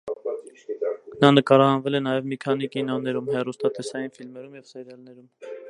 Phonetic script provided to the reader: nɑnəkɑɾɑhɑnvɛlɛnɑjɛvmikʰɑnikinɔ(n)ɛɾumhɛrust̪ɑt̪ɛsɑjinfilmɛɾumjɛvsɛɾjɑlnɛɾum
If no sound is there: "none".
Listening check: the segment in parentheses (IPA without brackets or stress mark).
n